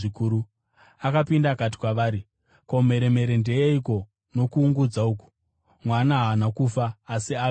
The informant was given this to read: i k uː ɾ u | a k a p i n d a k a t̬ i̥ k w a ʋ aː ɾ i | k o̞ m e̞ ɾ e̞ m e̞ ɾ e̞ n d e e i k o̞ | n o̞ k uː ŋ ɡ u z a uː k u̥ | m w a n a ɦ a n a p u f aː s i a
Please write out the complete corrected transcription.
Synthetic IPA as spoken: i k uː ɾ u | a k a p i n d a k a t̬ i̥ k w a ʋ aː ɾ i | k o̞ m e̞ ɾ e̞ m e̞ ɾ e̞ n d e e i k o̞ | n o̞ k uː ŋ ɡ u d͡z a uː k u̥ | m w a n a ɦ a n a k u f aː s i a